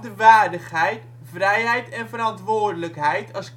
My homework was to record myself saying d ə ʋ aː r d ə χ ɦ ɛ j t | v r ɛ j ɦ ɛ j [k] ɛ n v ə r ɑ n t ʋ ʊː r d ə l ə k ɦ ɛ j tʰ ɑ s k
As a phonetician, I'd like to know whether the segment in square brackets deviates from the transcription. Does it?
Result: yes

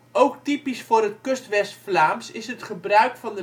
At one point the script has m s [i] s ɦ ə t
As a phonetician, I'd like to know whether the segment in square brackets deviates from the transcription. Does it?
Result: yes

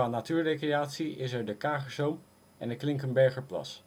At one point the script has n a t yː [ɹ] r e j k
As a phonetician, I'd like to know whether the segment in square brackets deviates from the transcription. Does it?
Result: no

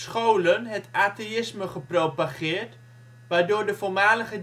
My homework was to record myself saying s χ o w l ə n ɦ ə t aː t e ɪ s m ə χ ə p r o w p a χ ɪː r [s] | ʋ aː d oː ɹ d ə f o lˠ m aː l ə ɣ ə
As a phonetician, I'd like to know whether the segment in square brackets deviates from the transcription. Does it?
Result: yes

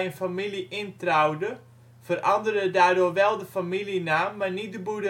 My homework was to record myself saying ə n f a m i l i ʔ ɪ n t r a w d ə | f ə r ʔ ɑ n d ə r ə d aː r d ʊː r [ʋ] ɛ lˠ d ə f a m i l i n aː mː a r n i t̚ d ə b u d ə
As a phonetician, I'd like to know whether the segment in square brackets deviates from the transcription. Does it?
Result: no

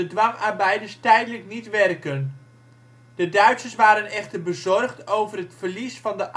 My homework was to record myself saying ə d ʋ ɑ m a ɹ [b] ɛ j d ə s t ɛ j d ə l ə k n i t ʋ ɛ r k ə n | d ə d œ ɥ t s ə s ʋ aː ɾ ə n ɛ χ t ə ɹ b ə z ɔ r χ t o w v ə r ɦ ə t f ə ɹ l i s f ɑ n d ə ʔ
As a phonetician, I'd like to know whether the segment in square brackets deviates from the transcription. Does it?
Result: no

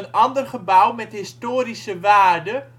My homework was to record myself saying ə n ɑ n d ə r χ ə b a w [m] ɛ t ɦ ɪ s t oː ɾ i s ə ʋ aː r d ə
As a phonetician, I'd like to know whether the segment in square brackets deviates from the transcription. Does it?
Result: no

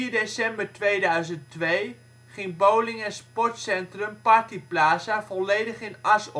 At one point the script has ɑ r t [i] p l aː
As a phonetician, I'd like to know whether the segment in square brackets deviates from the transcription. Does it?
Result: no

